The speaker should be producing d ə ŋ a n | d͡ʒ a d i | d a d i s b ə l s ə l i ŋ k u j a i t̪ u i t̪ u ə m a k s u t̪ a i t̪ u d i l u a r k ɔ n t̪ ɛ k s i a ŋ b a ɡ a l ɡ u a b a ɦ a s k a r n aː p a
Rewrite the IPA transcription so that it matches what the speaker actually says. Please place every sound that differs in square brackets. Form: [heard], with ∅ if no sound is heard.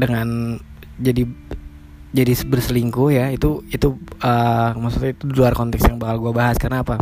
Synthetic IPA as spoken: d ə ŋ a n | d͡ʒ a d i | [d͡ʒ] a d i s b ə [r] s ə l i ŋ k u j a i t̪ u i t̪ u ə m a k s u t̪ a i t̪ u d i l u a r k ɔ n t̪ ɛ k s [j] a ŋ b a [k] a l ɡ u a b a ɦ a s k a r n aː p a